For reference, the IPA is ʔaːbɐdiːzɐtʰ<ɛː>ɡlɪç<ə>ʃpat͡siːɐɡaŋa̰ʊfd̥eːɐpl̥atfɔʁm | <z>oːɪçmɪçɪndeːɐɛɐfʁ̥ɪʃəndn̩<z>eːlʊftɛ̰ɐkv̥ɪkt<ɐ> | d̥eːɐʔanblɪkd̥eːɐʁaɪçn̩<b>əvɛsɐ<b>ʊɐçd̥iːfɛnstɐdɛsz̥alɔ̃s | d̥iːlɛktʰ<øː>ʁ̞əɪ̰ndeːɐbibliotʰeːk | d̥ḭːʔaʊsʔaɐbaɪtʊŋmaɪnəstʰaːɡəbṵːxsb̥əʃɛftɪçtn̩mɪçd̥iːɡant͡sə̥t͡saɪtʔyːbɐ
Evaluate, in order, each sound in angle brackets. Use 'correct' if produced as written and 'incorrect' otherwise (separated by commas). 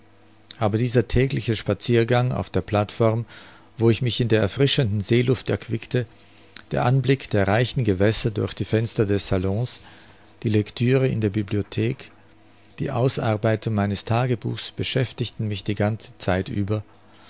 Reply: correct, correct, incorrect, correct, incorrect, incorrect, incorrect, incorrect